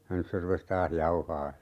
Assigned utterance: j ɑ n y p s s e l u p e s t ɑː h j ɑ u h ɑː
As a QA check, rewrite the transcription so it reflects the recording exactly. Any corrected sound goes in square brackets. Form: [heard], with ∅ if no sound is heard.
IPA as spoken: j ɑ n y [∅] s s e [r] u p e s t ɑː h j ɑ u h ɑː